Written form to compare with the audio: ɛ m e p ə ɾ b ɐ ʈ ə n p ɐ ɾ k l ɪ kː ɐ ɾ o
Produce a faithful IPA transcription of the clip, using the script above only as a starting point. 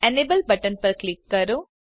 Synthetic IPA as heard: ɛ n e b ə l b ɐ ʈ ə n p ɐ ɾ k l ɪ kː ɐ ɾ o